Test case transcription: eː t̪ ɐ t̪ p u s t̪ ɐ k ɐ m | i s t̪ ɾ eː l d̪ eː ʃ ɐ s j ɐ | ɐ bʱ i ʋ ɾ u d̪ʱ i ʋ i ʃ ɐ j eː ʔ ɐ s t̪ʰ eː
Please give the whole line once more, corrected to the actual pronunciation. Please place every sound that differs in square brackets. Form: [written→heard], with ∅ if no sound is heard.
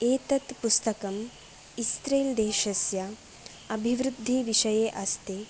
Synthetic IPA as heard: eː t̪ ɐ t̪ p u s t̪ ɐ k ɐ m | i s t̪ ɾ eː l d̪ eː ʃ ɐ s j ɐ | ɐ bʱ i ʋ ɾ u [d̪ʱ→d̪ʱː] i ʋ i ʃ ɐ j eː ʔ ɐ s [t̪ʰ→t̪] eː